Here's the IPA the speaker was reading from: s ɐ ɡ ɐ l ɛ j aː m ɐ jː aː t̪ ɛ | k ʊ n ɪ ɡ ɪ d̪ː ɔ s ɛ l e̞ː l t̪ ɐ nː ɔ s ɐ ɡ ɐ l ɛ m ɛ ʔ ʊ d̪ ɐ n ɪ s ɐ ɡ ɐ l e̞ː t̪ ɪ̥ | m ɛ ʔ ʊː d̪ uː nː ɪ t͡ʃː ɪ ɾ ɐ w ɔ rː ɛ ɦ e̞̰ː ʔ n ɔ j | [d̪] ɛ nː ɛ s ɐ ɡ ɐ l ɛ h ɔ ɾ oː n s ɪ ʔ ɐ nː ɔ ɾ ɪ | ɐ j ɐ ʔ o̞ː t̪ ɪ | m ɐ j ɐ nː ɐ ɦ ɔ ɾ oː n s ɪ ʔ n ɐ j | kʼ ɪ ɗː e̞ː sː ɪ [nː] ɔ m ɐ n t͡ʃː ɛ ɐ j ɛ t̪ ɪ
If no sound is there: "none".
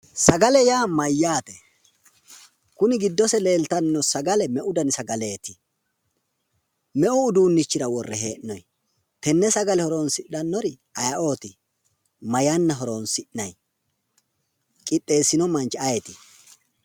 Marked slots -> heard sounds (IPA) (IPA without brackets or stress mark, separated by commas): t̪, n